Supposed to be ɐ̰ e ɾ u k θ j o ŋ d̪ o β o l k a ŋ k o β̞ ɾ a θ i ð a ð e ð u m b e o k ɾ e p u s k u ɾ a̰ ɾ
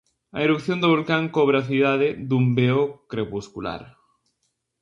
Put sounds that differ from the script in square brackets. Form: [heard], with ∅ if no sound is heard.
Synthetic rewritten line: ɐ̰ e ɾ u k θ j o [n] d̪ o β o l k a ŋ k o β̞ ɾ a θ i ð a ð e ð u m b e o k ɾ e p u s k u [l] a̰ ɾ